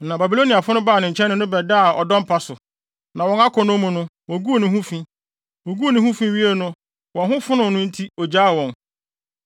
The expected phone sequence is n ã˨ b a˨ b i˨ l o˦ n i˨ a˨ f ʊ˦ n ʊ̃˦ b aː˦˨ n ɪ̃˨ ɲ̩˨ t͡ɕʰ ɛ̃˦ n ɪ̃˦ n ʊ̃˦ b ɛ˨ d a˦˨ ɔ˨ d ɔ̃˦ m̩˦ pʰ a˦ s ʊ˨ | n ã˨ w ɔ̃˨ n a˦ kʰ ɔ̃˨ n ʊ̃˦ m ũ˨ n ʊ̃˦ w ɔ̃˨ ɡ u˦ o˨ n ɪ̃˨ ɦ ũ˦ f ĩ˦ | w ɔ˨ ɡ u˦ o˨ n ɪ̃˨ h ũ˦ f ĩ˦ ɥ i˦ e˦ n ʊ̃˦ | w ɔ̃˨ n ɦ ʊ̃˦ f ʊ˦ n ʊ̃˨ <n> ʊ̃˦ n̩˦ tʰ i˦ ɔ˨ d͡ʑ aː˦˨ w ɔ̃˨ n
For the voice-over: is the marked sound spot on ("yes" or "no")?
yes